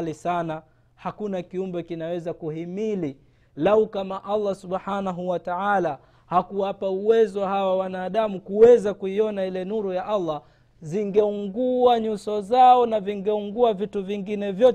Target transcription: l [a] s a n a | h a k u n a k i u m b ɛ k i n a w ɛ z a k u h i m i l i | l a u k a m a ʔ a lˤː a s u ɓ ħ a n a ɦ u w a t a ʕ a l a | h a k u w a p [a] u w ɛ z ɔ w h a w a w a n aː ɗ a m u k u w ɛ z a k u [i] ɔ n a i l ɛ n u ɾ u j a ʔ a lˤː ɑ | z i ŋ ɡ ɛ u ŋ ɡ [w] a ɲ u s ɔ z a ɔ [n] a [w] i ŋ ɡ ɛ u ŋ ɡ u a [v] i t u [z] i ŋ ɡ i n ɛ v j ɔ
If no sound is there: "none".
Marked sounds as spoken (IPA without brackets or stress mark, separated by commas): i, a, i, u, n, v, v, v